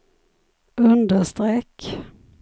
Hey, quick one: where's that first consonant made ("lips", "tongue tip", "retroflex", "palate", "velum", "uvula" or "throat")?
tongue tip